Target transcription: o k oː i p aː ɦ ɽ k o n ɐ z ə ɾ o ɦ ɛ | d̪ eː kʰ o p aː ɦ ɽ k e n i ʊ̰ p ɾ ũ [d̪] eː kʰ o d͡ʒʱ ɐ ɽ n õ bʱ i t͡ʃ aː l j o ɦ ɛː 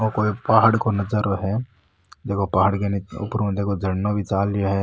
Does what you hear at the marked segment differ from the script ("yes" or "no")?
no